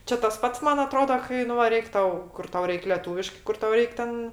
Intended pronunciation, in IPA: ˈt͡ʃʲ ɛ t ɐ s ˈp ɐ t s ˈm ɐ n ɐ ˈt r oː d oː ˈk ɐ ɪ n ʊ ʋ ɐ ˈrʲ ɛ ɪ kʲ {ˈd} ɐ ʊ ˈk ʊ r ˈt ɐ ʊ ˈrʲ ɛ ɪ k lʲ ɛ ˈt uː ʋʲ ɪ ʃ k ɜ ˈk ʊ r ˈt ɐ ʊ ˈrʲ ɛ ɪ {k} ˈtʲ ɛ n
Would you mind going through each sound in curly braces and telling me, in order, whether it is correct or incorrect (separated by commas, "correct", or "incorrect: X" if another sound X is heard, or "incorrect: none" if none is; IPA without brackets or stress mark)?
incorrect: t, correct